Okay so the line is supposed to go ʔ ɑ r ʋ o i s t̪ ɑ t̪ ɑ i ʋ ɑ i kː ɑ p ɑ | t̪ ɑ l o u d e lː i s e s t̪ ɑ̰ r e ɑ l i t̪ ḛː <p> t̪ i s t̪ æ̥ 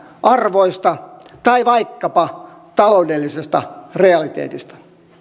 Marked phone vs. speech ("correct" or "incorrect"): incorrect